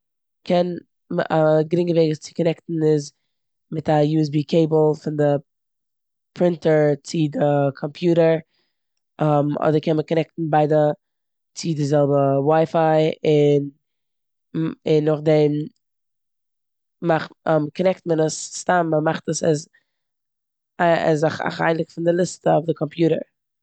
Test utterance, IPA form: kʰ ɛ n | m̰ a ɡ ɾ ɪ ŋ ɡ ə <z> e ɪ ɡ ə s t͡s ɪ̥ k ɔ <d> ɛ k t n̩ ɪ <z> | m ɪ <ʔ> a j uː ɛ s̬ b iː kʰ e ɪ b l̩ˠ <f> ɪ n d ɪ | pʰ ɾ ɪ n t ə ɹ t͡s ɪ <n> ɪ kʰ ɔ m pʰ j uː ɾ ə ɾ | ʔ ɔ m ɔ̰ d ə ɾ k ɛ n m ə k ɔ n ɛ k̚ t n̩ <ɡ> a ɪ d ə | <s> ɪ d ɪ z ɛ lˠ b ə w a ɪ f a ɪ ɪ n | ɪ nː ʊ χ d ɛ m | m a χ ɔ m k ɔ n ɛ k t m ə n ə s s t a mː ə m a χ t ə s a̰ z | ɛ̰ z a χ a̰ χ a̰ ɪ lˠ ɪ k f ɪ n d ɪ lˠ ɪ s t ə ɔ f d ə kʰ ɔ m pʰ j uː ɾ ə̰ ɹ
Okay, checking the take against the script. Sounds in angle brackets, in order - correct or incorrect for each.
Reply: incorrect: v, incorrect: n, correct, incorrect: t, correct, incorrect: d, incorrect: b, incorrect: t͡s

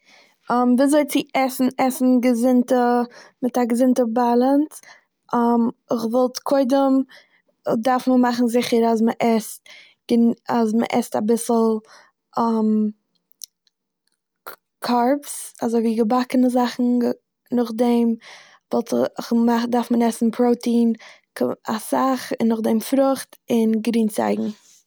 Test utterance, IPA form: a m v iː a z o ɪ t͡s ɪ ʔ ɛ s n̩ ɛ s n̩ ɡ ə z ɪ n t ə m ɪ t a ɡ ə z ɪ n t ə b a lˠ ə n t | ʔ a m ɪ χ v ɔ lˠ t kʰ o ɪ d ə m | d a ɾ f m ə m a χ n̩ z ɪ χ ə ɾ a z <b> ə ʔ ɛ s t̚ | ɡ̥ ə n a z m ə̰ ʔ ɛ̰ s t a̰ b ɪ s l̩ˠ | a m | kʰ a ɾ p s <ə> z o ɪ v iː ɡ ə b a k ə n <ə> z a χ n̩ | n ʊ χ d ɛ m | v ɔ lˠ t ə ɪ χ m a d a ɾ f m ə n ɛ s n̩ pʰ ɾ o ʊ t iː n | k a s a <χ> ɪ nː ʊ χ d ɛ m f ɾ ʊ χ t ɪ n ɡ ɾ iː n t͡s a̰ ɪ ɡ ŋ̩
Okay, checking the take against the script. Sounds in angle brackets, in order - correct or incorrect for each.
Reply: incorrect: m, incorrect: a, correct, correct

